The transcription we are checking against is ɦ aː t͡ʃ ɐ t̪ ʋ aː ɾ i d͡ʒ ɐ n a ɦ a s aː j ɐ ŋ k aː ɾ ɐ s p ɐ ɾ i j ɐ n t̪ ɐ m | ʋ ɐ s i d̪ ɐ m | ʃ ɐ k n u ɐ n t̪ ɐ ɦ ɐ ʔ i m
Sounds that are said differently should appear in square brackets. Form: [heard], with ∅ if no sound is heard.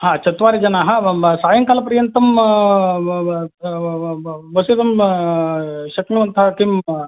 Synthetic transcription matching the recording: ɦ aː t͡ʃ ɐ t̪ ʋ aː ɾ i d͡ʒ ɐ n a ɦ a s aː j ɐ ŋ k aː [l] ɐ [∅] p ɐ ɾ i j ɐ n t̪ ɐ m | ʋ ɐ s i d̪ ɐ m | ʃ ɐ k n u ɐ n t̪ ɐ ɦ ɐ [k] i m

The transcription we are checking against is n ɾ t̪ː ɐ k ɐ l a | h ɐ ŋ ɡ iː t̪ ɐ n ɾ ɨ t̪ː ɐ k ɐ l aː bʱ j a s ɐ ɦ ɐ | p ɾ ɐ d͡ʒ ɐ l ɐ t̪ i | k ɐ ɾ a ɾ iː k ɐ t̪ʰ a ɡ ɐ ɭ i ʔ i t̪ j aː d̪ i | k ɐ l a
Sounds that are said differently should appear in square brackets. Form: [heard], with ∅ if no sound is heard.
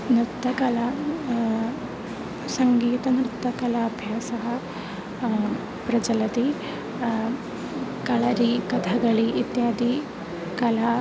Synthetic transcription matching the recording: n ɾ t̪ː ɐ k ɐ l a | [s] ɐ ŋ ɡ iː t̪ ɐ n ɾ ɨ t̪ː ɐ k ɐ l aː bʱ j a s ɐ ɦ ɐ | p ɾ ɐ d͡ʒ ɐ l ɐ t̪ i | k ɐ [ɭ] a ɾ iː k ɐ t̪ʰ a ɡ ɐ ɭ i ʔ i t̪ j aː d̪ i | k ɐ l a

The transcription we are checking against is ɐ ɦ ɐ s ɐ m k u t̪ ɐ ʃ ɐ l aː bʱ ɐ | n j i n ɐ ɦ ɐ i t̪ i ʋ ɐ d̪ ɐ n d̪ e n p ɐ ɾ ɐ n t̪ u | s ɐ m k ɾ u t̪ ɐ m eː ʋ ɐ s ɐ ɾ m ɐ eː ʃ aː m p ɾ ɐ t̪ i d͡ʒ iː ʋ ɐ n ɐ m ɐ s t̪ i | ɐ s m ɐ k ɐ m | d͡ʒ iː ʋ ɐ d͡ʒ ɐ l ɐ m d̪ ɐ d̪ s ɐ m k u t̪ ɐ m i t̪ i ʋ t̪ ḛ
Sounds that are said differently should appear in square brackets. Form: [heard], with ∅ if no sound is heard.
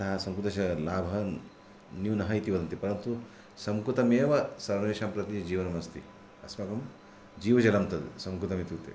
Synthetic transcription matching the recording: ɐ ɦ ɐ s ɐ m k u t̪ ɐ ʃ ɐ l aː bʱ ɐ | n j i n ɐ ɦ ɐ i t̪ i ʋ ɐ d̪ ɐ n [t̪] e [∅] p ɐ ɾ ɐ n t̪ u | s ɐ m k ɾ u t̪ ɐ m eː ʋ ɐ s ɐ ɾ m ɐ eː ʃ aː m p ɾ ɐ t̪ i d͡ʒ iː ʋ ɐ n ɐ m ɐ s t̪ i | ɐ s m ɐ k ɐ m | d͡ʒ iː ʋ ɐ d͡ʒ ɐ l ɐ m [t̪] ɐ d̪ s ɐ m k u t̪ ɐ m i t̪ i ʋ t̪ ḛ

